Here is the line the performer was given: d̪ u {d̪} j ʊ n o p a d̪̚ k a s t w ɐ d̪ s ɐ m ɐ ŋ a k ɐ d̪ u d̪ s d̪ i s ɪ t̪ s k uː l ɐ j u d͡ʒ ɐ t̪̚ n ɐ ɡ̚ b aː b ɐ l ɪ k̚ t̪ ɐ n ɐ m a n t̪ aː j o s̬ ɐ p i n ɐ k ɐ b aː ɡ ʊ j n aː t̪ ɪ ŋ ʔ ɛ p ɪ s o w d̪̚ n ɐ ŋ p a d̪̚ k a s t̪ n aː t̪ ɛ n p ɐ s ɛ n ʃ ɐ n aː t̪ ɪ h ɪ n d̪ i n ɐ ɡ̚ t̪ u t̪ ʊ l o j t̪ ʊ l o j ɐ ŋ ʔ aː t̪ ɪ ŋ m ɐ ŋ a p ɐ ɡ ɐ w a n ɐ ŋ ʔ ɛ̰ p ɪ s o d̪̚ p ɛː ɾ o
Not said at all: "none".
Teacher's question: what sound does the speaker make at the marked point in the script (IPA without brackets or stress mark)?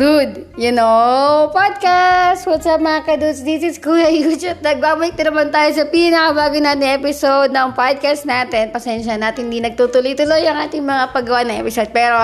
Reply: d̪